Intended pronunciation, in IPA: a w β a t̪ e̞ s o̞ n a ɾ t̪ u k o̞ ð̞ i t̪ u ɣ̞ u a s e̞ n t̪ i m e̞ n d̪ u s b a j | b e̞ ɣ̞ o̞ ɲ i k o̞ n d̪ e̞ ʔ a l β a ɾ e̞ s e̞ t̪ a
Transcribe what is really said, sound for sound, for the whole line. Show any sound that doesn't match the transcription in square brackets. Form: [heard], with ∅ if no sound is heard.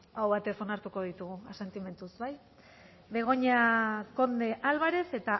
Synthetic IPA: a w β a t̪ e̞ s o̞ n a ɾ t̪ u k o̞ ð̞ i t̪ u ɣ̞ u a s e̞ n t̪ i m e̞ n [t̪] u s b a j | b e̞ ɣ̞ o̞ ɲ [a] k o̞ n d̪ e̞ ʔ a l β a ɾ e̞ s e̞ t̪ a